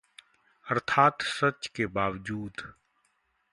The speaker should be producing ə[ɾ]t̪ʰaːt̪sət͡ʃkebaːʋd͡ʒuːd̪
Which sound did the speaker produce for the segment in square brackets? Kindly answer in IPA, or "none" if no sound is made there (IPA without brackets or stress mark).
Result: ɾ